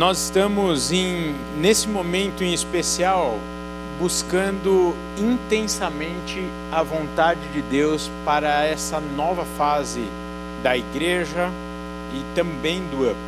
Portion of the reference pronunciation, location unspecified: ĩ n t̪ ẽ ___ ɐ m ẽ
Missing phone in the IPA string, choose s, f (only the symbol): s